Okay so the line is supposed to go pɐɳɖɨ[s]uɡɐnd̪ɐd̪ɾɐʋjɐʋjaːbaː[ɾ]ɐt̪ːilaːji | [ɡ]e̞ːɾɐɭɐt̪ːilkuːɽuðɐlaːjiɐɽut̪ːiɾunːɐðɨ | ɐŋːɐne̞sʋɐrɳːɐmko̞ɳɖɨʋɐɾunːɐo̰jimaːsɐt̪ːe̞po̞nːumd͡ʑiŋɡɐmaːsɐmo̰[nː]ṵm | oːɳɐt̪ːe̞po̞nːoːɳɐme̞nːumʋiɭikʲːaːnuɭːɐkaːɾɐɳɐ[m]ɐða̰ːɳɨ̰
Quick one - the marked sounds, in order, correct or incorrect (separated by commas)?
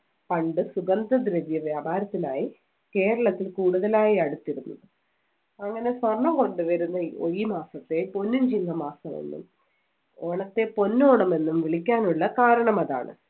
correct, correct, incorrect, correct, correct